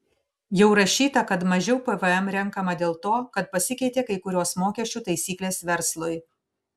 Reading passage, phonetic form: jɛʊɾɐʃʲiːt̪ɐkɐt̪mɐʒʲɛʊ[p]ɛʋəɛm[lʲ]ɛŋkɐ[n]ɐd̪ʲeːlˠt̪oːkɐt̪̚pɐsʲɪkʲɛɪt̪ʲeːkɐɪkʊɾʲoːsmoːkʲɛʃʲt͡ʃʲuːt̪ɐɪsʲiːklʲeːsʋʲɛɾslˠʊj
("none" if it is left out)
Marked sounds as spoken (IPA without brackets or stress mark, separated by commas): p, ɾʲ, m